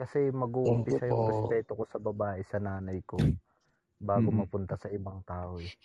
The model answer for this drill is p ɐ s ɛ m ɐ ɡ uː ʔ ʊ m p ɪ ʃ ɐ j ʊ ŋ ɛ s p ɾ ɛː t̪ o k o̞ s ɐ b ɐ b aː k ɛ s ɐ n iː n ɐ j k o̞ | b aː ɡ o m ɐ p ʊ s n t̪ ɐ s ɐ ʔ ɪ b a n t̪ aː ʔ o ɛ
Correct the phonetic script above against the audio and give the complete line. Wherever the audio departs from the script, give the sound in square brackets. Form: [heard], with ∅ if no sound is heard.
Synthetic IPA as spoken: [k] ɐ s ɛ m ɐ ɡ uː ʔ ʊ m p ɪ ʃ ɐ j ʊ ŋ ɛ s p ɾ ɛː t̪ o k o̞ s ɐ b ɐ b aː [ʔ] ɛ s ɐ n [aː] n ɐ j k o̞ | b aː ɡ o m ɐ p ʊ [∅] n t̪ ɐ s ɐ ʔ ɪ b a [ŋ] t̪ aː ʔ o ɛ